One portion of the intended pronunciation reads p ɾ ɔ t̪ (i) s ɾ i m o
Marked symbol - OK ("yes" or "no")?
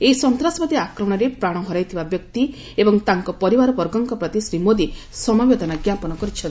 yes